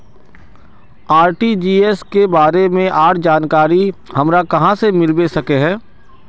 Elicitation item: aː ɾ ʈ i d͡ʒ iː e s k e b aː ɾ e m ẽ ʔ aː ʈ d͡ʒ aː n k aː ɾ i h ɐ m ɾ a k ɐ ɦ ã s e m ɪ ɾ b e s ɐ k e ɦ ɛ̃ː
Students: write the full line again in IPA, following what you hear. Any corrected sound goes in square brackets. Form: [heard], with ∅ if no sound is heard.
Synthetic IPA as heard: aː ɾ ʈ i d͡ʒ iː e s k e b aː ɾ e m ẽ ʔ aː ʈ d͡ʒ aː n k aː ɾ i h ɐ m ɾ a k ɐ ɦ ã s e m ɪ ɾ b e s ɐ k e ɦ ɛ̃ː

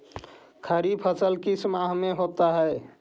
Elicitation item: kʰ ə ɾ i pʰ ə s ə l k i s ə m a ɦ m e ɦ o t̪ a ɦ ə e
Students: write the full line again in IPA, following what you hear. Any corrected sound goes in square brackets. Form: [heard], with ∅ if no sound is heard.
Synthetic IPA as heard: kʰ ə ɾ i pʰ ə s ə l k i s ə m a ɦ m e ɦ o t̪ a ɦ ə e

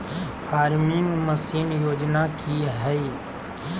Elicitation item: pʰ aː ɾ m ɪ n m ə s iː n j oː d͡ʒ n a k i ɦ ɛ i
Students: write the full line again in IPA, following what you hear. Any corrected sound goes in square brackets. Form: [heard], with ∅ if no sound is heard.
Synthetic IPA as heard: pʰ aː ɾ m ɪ [ŋ] m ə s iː n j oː d͡ʒ n a k i ɦ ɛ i

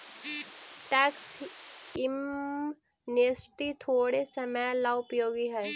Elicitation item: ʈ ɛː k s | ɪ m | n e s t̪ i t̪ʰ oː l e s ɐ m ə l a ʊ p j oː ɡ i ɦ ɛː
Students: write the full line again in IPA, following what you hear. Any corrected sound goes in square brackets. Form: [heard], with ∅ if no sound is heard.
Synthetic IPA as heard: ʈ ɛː k s | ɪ m | n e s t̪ i t̪ʰ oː [ɽ] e s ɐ m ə l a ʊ p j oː ɡ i ɦ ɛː

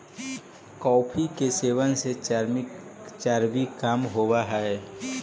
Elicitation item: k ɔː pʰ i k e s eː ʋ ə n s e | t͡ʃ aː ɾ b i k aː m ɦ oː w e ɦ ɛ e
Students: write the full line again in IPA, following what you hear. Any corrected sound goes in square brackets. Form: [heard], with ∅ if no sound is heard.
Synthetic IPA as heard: k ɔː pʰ i k e s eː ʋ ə n s e | t͡ʃ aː ɾ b i k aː m ɦ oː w [a] ɦ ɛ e

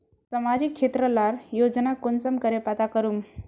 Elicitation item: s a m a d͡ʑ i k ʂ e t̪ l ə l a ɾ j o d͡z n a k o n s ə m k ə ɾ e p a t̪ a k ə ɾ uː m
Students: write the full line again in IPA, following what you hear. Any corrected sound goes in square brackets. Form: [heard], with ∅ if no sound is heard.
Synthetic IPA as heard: s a m a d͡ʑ i k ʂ e t̪ [ɾ] ə l a ɾ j o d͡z n a k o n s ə m k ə ɾ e p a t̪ a k ə ɾ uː m

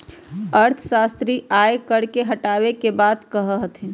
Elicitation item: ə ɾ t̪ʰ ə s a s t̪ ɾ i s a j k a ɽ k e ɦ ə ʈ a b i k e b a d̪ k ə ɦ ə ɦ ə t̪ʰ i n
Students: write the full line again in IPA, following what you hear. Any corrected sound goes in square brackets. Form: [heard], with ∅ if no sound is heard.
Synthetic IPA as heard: ə ɾ t̪ʰ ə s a s t̪ ɾ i [∅] a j k [ə] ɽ k e ɦ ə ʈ a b [e] k e b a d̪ k ə ɦ ə ɦ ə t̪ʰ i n

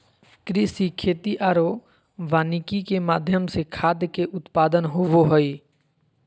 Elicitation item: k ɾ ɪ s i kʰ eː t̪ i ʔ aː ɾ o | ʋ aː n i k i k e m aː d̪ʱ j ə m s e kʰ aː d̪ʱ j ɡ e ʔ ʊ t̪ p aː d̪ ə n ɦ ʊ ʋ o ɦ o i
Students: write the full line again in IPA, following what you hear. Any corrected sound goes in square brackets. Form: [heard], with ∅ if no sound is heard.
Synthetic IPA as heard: k ɾ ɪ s i kʰ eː t̪ i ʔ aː ɾ o | ʋ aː n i k i k e m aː d̪ʱ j ə m s e kʰ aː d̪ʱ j [k] e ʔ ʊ t̪ p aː d̪ ə n ɦ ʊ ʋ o ɦ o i

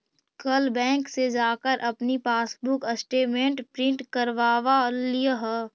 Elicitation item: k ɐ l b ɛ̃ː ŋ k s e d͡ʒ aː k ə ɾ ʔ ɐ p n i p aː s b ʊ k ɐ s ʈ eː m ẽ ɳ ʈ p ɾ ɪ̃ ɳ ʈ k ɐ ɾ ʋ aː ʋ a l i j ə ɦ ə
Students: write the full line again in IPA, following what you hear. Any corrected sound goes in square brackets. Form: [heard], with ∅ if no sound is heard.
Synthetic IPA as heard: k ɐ l b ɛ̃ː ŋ k s e d͡ʒ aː k ə ɾ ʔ ɐ p n i p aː s b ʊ k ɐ s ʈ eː m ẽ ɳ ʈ p ɾ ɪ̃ ɳ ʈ k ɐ ɾ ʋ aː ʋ a l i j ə ɦ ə

